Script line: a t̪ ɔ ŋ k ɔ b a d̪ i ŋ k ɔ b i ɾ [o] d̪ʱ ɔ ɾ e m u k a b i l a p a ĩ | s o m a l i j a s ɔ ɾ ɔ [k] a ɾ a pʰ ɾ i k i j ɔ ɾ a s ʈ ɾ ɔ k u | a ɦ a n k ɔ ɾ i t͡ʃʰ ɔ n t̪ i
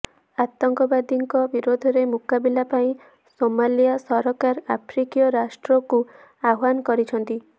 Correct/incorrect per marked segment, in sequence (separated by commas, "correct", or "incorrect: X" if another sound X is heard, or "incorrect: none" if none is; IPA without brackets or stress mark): correct, correct